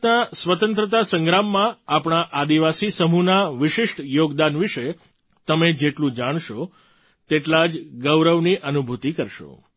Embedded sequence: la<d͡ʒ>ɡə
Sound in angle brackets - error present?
no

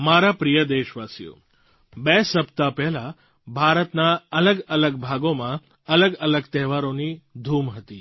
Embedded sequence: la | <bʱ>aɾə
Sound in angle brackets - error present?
no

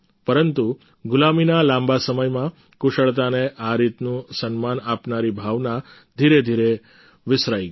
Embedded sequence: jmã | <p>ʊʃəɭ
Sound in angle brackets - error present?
yes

